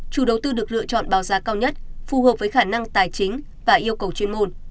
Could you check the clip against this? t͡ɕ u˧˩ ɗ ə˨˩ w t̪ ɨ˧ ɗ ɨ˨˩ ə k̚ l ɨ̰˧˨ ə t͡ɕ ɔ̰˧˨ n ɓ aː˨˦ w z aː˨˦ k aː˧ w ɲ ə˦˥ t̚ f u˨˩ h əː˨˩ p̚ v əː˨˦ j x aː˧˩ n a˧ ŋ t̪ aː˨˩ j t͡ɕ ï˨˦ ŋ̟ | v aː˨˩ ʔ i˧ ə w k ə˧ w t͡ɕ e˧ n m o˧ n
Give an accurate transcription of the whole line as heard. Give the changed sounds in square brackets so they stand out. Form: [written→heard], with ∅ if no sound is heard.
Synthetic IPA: t͡ɕ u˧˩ ɗ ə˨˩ w t̪ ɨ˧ ɗ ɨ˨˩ ə k̚ l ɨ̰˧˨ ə t͡ɕ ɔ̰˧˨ n ɓ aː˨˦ w z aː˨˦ k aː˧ w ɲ ə˦˥ t̚ f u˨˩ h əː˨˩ p̚ v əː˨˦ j x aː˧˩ n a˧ ŋ t̪ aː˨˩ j t͡ɕ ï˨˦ ŋ̟ | v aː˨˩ ʔ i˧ ə w k [ə˧→ə˨˩] w t͡ɕ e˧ n m o˧ n